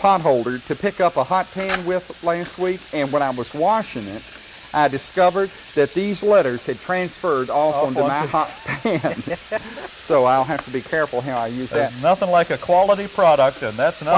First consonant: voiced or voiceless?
voiceless